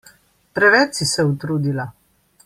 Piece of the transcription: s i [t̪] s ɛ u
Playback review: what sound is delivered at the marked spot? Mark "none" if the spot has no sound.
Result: none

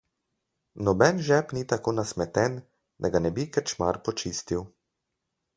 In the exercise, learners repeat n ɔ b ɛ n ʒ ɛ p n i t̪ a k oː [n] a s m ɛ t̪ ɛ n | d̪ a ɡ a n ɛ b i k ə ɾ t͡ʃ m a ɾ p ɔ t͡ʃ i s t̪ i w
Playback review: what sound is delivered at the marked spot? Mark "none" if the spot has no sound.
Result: n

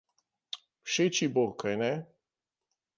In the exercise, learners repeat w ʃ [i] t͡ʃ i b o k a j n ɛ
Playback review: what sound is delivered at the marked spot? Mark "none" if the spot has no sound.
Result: e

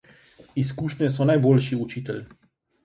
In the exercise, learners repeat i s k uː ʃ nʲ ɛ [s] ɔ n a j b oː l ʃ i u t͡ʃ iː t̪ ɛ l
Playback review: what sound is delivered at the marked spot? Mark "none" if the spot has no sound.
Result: s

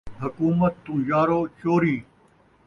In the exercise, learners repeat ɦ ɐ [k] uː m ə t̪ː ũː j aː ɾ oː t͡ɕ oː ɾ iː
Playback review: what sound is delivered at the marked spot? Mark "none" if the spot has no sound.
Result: k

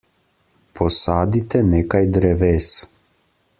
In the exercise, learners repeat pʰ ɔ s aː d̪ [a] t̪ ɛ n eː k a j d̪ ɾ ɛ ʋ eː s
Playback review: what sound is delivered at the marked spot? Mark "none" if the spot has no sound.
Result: i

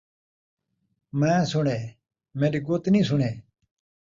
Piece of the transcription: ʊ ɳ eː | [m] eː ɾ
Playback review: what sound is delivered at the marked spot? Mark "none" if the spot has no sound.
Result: m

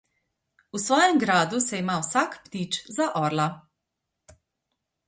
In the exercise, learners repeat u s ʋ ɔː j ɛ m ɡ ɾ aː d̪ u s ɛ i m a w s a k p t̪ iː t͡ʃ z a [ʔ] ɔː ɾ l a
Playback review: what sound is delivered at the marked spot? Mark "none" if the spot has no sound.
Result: ʔ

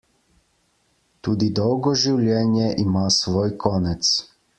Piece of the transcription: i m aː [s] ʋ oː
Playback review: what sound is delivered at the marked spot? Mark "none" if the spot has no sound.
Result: s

